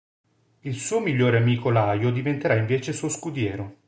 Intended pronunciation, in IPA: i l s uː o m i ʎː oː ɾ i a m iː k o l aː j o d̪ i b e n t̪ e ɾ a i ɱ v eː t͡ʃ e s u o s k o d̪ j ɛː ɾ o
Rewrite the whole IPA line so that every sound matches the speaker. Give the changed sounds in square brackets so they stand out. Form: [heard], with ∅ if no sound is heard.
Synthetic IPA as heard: i l s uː o m i ʎː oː ɾ [e] a m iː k o l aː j o d̪ i [v] e n t̪ e ɾ a i ɱ v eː t͡ʃ e s u o s k [u] d̪ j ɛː ɾ o